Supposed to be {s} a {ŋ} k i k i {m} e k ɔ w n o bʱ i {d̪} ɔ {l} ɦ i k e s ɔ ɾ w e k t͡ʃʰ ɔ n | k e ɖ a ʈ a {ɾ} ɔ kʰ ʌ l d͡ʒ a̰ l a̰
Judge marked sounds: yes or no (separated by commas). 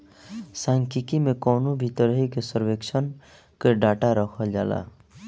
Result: yes, yes, yes, no, no, yes